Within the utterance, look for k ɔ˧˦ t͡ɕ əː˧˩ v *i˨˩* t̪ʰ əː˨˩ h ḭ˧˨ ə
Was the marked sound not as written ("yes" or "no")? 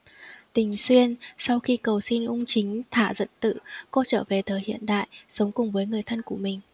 yes